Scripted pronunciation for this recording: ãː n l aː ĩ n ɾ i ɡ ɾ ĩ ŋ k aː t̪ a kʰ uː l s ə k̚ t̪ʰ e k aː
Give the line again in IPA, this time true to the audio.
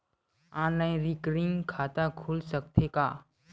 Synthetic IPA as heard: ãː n l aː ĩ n ɾ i k ɾ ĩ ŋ kʰ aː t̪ a kʰ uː l s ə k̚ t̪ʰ e k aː